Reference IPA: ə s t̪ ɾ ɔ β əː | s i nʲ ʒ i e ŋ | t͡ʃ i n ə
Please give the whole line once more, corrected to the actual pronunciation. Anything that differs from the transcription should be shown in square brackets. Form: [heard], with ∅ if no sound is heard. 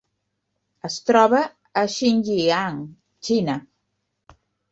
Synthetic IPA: ə s t̪ ɾ ɔ β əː | [ʃ] i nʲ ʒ i [a] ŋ | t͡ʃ i n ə